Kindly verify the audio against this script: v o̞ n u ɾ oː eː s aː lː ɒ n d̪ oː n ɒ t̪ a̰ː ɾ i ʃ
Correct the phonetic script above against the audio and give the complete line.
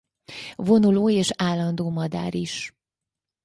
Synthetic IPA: v o̞ n u l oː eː ʃ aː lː ɒ n d̪ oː m ɒ d̪ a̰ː ɾ i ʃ